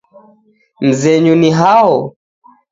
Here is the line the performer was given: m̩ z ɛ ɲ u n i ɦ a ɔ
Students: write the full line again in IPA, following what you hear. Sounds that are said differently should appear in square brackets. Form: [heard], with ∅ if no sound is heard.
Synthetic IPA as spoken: m̩ z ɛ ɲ u n i ɦ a ɔ